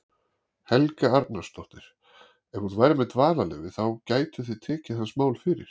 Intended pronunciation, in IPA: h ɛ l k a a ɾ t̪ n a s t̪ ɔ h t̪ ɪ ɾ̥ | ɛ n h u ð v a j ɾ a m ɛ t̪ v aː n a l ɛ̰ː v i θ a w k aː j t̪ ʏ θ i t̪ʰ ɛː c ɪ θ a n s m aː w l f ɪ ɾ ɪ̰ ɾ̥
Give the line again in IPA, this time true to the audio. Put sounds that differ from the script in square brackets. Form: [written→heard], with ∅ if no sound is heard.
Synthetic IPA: h ɛ l k a a ɾ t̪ n a s t̪ ɔ h t̪ ɪ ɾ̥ | ɛ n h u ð v a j ɾ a m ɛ t̪ v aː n a l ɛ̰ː v [i→ɪ] θ a w [k→c] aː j t̪ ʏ θ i t̪ʰ ɛː c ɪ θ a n s m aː w l f ɪ ɾ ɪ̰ ɾ̥